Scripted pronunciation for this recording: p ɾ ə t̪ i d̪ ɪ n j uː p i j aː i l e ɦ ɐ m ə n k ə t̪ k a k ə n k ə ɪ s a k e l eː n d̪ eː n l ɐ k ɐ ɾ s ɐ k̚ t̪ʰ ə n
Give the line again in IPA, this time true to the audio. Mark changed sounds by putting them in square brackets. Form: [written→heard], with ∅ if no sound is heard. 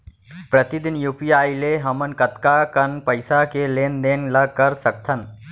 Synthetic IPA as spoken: p ɾ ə t̪ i d̪ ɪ n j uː p i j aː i l e ɦ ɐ m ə n k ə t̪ k a k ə n [k→p] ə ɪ s a k e l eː n d̪ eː n l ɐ k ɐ ɾ s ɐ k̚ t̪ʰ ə n